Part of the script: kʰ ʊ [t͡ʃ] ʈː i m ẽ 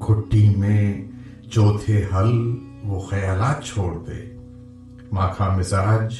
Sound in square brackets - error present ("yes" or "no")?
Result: yes